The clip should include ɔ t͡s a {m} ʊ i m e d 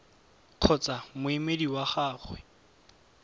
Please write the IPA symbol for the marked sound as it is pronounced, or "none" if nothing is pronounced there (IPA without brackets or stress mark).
m